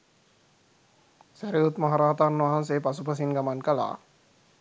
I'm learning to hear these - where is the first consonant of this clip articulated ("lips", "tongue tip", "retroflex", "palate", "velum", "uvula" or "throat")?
tongue tip